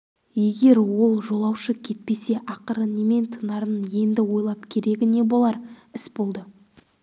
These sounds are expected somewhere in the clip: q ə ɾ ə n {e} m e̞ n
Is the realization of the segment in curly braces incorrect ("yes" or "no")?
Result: no